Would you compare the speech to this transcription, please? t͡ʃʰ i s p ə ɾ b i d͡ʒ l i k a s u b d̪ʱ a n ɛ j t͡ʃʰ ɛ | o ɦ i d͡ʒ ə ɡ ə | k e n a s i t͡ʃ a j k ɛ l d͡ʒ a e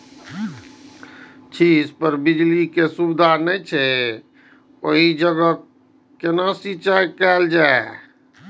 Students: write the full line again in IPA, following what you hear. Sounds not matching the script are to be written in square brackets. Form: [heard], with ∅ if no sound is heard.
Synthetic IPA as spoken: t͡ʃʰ i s p ə ɾ b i d͡ʒ l i k [e] s u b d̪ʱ a n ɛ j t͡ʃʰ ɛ | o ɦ i d͡ʒ ə ɡ ə | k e n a s i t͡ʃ a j k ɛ l d͡ʒ a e